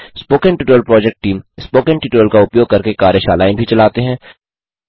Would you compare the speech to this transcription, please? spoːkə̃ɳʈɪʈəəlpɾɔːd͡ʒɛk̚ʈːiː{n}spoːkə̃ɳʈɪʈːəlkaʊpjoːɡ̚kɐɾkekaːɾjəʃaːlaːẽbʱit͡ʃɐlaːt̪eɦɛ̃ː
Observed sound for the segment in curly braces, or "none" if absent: m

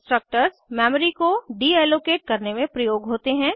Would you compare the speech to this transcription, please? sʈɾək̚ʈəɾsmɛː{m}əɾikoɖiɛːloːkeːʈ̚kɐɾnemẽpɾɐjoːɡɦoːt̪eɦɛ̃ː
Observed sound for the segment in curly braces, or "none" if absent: m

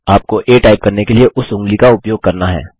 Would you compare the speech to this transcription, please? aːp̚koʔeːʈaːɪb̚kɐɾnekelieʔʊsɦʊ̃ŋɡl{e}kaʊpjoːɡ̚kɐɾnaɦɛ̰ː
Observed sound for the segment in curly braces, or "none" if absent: i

